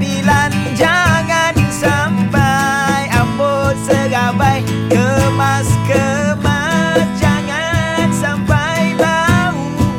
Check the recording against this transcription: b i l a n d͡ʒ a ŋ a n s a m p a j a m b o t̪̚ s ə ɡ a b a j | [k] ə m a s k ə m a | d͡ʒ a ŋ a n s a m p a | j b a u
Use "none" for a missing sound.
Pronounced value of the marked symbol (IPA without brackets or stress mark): k